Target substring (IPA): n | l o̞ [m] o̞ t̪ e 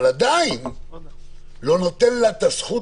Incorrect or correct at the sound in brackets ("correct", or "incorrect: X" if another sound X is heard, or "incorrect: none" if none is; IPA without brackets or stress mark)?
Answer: incorrect: n